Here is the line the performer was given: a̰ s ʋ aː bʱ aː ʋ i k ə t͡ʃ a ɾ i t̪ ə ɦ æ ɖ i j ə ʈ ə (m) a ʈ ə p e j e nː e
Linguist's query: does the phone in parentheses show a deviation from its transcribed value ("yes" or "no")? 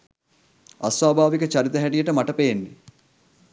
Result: no